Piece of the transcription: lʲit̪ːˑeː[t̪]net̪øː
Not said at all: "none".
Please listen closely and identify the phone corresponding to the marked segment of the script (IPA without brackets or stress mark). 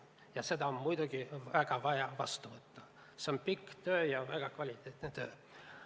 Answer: t̪